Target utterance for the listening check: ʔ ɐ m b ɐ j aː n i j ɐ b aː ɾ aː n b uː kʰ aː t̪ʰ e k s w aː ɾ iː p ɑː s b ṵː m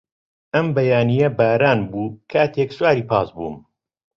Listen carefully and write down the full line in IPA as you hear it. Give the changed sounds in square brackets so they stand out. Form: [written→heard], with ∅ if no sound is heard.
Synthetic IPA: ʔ ɐ m b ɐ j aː n i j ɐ b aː ɾ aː n b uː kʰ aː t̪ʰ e k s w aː ɾ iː p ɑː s b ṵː m